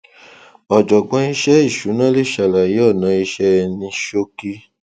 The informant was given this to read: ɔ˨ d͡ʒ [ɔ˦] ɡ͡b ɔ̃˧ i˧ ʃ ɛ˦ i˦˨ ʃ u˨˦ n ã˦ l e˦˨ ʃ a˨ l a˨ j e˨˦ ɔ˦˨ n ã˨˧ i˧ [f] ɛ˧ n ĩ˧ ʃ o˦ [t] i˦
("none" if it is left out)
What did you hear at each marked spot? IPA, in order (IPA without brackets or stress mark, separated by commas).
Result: ɔ˨, ʃ, k